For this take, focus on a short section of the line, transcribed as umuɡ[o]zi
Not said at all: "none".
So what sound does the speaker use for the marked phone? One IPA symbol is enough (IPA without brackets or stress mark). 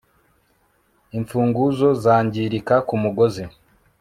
o